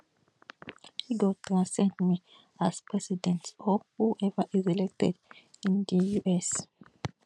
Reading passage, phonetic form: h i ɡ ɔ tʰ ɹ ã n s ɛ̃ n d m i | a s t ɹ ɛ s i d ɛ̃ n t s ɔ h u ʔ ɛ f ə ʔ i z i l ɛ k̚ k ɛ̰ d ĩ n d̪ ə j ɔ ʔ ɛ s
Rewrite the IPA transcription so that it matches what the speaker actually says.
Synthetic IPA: h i ɡ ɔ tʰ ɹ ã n s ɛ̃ n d m i | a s p ɹ ɛ s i d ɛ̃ n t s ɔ h u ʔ ɛ v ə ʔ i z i l ɛ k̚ t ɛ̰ d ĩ n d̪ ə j u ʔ ɛ s